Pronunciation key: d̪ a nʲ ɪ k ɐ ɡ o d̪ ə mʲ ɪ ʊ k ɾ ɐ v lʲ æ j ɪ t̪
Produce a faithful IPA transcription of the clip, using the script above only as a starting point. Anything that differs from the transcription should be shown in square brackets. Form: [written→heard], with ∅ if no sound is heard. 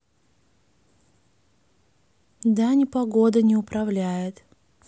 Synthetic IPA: d̪ a nʲ ɪ [k→p] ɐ ɡ o d̪ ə [mʲ→nʲ] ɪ ʊ [k→p] ɾ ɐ v lʲ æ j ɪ t̪